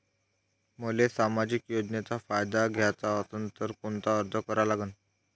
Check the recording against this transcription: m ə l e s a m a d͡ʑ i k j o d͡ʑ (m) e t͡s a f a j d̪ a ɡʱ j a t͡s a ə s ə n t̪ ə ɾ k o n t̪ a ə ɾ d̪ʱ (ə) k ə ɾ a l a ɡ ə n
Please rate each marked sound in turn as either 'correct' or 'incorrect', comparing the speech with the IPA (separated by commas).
incorrect, correct